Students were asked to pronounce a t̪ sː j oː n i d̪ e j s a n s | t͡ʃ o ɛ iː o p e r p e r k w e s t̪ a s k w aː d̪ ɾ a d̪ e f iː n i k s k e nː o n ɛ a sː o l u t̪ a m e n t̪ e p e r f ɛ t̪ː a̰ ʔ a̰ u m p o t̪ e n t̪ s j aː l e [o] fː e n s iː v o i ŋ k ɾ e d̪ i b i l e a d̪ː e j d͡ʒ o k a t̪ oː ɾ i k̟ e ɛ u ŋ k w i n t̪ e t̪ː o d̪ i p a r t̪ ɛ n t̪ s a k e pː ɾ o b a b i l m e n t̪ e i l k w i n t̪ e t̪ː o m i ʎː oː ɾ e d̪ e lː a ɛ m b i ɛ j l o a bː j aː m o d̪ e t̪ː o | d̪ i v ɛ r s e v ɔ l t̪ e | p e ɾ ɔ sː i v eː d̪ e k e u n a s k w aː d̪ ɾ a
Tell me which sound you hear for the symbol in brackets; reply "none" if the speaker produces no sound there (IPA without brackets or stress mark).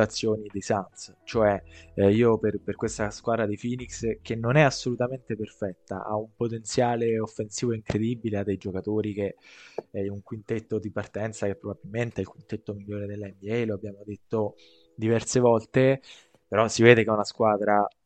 o